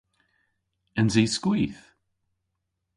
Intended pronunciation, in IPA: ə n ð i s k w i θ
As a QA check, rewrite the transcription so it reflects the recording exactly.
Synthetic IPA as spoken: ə n z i s k w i θ